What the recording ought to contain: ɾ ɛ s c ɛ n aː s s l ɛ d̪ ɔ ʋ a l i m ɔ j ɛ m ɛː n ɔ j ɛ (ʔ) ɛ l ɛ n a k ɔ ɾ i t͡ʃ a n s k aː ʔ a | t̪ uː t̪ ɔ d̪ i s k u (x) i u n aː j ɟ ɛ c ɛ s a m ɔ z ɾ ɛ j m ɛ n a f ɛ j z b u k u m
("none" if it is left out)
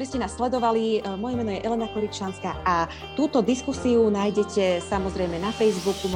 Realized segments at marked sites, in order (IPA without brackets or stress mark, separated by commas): ʔ, s